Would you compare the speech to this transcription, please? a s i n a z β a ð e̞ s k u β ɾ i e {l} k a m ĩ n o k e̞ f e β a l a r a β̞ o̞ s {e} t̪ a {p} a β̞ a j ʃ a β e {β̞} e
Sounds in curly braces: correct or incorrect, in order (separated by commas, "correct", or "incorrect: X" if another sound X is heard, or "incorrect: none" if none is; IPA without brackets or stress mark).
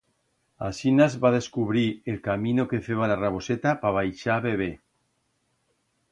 correct, correct, correct, correct